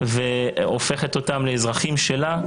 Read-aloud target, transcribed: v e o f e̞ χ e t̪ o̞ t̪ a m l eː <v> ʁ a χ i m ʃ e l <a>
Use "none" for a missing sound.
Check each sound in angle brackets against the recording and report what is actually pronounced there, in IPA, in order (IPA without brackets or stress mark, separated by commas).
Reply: z, a